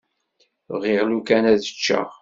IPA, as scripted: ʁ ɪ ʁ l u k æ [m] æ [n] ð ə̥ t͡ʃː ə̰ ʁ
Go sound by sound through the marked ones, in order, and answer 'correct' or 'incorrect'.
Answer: incorrect: n, incorrect: none

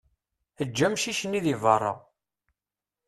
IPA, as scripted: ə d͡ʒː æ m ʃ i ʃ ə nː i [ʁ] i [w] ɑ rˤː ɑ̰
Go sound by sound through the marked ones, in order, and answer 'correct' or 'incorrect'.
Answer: incorrect: ð, incorrect: v

